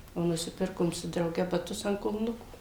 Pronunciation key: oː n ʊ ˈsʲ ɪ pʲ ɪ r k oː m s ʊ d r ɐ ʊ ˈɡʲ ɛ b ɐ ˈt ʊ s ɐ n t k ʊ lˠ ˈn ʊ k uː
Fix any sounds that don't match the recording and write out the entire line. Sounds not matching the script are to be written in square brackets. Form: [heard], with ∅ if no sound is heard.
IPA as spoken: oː n ʊ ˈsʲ ɪ pʲ ɪ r k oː m s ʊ d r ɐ ʊ ˈɡʲ ɛ b ɐ ˈt ʊ s ɐ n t k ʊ lˠ ˈn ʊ k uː